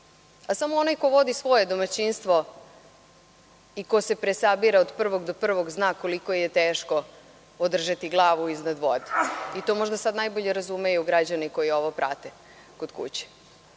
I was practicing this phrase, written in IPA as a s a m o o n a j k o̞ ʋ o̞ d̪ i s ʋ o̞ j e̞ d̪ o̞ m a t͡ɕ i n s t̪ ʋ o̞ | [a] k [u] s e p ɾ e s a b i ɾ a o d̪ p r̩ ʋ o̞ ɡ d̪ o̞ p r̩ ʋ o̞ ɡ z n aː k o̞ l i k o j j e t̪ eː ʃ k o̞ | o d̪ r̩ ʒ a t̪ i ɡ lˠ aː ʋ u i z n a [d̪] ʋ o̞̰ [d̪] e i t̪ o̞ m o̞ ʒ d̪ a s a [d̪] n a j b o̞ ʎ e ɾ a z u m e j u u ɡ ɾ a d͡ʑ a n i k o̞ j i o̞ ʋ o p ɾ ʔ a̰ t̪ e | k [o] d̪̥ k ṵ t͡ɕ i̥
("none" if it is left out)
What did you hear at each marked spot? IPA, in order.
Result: i, o, d̪, d̪, d̪, o

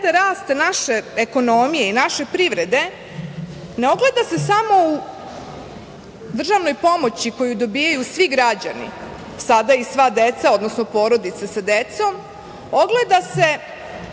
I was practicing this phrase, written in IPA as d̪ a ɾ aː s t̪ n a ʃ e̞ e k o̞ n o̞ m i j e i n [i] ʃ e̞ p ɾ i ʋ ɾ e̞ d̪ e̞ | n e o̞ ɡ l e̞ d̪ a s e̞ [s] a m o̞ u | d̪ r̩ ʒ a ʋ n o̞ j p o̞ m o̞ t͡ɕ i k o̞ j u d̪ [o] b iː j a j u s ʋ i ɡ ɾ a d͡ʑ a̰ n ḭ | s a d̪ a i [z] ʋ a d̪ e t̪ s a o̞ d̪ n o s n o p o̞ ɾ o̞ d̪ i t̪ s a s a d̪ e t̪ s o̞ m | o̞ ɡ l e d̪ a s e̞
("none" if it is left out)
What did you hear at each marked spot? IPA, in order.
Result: a, s, o, s

